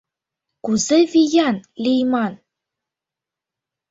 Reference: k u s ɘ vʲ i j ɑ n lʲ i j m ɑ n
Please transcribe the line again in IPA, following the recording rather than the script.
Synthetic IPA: k u z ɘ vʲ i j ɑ n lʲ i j m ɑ n